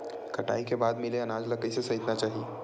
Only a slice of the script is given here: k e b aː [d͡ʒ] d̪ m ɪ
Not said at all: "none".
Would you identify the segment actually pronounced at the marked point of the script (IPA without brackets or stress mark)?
none